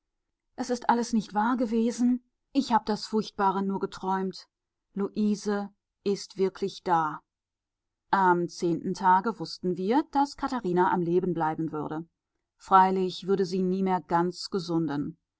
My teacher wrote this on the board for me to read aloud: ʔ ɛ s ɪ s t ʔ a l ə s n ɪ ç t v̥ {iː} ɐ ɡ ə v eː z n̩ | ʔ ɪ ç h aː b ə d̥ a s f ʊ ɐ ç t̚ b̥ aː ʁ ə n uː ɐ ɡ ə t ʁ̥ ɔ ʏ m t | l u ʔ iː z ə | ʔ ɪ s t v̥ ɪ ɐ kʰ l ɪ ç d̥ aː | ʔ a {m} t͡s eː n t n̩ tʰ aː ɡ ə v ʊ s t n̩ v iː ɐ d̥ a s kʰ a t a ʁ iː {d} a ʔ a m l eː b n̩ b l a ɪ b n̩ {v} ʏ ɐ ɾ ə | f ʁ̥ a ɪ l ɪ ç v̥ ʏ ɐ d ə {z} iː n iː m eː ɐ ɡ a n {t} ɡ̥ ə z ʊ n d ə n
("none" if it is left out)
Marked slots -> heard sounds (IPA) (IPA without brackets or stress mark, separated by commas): aː, m, n, v, z, t͡s